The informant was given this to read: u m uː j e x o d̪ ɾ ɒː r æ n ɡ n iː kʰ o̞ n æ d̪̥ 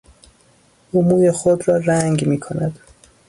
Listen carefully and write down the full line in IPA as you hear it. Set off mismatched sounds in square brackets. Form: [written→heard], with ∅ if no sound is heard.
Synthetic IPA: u m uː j e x o d̪ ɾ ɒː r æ [n→ŋ] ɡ [n→m] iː kʰ o̞ n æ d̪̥